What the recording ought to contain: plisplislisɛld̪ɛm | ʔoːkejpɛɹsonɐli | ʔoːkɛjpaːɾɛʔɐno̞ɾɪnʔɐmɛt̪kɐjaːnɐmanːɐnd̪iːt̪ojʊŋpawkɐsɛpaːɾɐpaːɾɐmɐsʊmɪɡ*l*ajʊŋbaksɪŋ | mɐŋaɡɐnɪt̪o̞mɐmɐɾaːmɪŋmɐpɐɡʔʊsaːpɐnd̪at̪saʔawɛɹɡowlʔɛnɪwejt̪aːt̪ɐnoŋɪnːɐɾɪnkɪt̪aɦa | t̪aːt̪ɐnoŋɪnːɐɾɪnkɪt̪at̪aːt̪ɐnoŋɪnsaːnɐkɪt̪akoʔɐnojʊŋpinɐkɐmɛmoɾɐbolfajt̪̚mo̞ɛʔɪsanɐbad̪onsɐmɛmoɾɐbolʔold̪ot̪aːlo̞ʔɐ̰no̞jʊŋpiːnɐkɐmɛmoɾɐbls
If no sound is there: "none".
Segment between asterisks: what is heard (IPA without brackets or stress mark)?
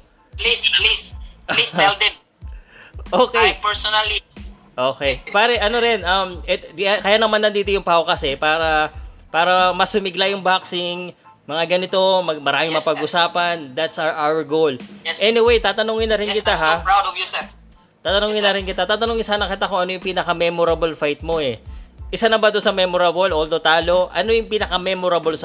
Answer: l